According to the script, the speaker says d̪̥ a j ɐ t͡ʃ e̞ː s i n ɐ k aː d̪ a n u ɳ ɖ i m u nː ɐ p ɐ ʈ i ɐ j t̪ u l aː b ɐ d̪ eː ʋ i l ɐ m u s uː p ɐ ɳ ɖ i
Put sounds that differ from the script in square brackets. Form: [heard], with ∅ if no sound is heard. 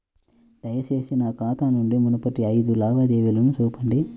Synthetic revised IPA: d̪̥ [ɐ] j ɐ t͡ʃ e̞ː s i n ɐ k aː [t̪] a n u ɳ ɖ i m u [n] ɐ p ɐ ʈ i ɐ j [d̪] u l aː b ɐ d̪ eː ʋ i l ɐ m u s uː p ɐ ɳ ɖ i